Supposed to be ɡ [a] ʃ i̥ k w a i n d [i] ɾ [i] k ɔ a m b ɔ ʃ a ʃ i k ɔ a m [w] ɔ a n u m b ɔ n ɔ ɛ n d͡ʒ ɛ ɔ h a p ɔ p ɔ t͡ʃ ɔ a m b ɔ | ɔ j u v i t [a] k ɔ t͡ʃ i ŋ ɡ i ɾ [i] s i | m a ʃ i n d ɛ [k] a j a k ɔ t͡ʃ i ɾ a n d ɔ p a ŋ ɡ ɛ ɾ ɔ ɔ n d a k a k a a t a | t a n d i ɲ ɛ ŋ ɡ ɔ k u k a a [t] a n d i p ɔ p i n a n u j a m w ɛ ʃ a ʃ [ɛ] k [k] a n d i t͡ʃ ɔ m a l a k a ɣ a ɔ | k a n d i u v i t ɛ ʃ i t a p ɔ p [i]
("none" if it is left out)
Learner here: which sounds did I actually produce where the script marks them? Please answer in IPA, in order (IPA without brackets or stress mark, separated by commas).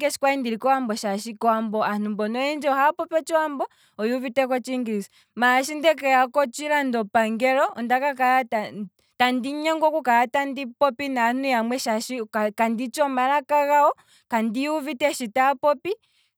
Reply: ɛ, i, i, b, ɛ, i, k, t, i, k, i